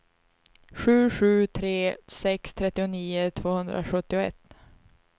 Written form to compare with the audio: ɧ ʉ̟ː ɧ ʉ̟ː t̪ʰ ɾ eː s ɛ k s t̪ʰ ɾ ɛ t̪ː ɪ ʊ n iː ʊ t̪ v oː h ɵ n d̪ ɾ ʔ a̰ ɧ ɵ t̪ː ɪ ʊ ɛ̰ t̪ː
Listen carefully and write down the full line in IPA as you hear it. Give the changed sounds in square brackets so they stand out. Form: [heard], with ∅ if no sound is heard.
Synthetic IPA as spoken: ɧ ʉ̟ː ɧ ʉ̟ː t̪ʰ ɾ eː s ɛ k s t̪ʰ ɾ ɛ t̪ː ɪ ʊ n iː ʊ [t̪ʰ] v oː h ɵ n d̪ ɾ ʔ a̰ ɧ ɵ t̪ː ɪ ʊ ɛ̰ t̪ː